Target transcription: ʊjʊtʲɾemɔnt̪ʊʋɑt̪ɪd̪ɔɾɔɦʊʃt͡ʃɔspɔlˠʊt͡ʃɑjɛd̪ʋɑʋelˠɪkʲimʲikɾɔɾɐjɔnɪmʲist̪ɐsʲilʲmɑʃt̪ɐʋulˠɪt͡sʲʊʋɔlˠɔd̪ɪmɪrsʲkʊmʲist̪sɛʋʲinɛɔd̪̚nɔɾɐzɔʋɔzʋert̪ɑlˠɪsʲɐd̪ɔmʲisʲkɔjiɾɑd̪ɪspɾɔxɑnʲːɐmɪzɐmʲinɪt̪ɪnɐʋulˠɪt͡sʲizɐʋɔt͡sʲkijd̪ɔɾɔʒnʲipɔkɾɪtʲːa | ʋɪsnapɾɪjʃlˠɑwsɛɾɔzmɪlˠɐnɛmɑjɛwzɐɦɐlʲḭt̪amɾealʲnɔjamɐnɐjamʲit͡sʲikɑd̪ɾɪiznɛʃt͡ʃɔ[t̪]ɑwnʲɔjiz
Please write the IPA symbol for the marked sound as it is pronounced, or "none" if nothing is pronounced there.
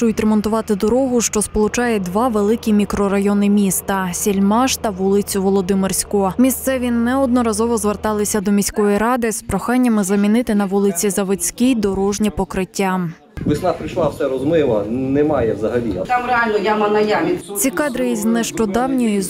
d̪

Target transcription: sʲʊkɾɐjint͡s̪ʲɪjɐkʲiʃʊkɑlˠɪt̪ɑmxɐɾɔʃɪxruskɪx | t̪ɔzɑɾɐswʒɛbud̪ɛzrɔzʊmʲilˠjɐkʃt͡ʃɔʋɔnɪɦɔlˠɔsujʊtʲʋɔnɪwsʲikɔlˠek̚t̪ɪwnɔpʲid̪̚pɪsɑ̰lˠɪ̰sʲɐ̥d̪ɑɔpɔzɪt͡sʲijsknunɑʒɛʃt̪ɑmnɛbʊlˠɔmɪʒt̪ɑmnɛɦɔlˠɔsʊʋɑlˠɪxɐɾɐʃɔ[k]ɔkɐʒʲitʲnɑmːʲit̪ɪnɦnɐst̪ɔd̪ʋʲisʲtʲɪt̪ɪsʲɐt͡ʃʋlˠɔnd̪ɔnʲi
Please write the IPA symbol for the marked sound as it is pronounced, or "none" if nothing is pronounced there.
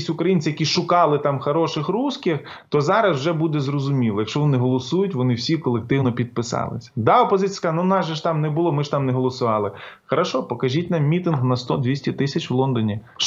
p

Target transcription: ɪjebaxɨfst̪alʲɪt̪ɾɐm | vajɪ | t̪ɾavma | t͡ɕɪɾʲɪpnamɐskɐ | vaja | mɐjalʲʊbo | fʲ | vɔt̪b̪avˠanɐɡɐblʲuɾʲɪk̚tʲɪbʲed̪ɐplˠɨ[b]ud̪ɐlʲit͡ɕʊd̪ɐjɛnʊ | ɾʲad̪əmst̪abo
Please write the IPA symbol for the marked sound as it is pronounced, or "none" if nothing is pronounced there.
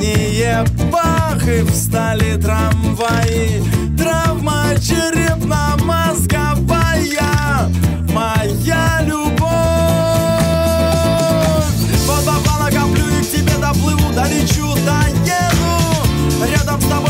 v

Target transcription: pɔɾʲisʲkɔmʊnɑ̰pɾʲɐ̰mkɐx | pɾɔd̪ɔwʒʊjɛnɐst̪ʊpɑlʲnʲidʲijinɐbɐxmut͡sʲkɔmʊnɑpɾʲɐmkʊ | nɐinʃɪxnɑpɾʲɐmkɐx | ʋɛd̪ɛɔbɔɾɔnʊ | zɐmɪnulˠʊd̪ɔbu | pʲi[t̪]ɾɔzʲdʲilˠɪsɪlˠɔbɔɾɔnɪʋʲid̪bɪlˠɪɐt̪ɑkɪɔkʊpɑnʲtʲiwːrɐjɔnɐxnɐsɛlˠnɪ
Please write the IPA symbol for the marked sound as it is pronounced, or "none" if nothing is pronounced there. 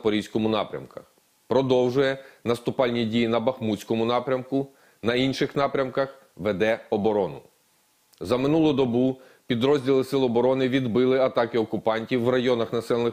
d̪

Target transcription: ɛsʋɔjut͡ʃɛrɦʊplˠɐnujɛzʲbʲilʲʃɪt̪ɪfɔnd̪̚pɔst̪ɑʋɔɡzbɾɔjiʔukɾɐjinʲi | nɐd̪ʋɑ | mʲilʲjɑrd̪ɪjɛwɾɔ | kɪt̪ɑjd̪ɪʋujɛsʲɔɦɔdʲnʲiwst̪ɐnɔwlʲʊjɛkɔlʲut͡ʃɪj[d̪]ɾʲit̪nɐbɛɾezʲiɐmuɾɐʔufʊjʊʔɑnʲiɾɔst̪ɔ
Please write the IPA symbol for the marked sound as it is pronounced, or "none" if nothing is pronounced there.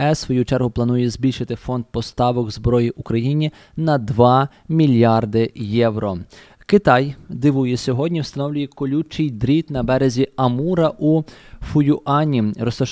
d̪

